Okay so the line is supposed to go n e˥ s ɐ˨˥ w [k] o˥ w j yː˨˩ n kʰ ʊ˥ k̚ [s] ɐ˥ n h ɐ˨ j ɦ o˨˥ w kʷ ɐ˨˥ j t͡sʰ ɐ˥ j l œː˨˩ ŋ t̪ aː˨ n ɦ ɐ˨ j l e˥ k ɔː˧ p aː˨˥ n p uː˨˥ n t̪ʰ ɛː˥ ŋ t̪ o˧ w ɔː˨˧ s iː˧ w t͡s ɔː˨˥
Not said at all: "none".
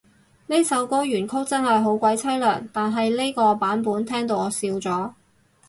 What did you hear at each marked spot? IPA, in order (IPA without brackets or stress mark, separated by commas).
k, t͡s